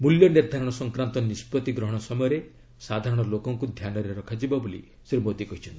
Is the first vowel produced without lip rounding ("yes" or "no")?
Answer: no